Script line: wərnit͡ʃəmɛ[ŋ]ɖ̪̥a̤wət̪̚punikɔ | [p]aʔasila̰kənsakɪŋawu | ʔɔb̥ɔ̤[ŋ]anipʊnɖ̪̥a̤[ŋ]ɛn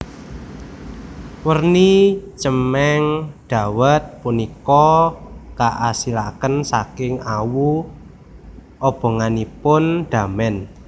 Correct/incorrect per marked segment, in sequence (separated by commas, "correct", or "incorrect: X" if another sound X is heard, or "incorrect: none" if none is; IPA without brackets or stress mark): correct, incorrect: k, correct, incorrect: m